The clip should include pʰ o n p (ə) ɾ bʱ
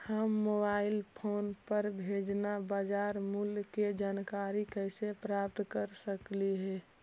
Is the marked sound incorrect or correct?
correct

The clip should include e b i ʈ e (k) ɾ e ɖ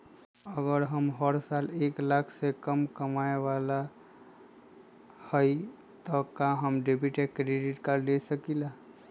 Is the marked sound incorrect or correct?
correct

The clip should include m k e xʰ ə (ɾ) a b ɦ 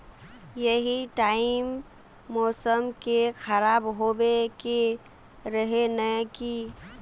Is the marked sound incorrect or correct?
correct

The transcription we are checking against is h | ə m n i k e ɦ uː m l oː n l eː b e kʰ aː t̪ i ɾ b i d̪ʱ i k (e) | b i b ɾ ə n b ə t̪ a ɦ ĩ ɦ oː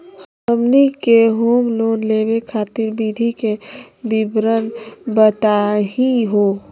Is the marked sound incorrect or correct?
correct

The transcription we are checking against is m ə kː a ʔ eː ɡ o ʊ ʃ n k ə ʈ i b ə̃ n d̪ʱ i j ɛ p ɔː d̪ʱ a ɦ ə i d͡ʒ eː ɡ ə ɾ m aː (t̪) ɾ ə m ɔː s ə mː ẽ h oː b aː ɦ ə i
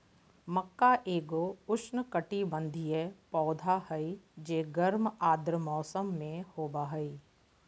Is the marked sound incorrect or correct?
incorrect: d̪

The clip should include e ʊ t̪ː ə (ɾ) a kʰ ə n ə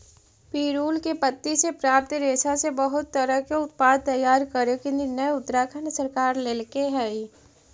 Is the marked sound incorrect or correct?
correct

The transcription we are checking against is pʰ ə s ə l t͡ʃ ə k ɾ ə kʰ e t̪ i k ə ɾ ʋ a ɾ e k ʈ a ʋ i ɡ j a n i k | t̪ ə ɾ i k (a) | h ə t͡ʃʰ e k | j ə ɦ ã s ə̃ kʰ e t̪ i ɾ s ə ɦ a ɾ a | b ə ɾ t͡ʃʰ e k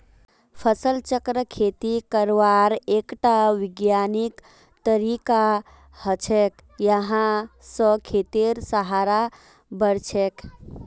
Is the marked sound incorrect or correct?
correct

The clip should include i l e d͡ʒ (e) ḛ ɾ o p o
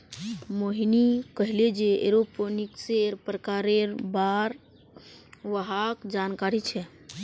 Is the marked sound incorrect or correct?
correct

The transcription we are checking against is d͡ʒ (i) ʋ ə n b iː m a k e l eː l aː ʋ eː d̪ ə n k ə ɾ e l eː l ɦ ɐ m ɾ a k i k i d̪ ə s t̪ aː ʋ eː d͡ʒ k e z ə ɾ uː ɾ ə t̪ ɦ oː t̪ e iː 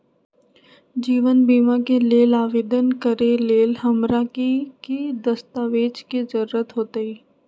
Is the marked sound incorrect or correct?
incorrect: iː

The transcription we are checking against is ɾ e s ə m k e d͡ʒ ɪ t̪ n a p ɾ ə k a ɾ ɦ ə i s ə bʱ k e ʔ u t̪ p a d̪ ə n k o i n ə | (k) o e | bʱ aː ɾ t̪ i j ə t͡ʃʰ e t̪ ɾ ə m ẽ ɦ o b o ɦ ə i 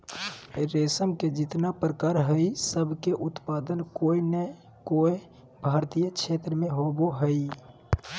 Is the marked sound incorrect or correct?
correct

